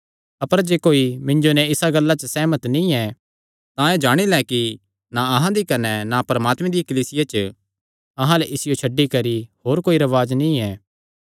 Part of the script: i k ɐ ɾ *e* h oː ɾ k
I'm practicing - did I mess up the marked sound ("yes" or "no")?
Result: yes